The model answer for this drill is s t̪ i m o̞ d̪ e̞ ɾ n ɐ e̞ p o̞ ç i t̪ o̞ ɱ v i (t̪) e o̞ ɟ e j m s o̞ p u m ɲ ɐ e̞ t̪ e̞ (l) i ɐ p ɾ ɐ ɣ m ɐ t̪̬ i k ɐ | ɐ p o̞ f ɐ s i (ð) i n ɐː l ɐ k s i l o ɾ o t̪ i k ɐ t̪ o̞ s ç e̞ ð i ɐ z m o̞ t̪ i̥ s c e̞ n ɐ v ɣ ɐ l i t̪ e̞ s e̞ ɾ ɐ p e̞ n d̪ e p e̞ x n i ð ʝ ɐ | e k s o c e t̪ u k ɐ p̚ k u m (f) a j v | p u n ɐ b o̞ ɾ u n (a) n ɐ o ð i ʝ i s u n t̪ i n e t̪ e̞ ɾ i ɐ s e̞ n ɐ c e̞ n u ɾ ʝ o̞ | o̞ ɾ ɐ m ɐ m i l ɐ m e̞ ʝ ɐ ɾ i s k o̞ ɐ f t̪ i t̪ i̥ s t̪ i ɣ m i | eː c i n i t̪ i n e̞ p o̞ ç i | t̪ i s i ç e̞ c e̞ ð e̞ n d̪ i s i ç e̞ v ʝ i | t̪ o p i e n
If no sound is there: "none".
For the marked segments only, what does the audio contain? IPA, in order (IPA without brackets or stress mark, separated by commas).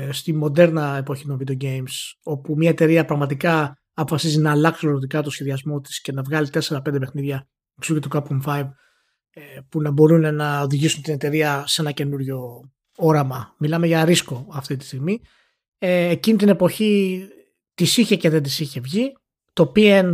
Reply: d̪, ɾ, z, f, e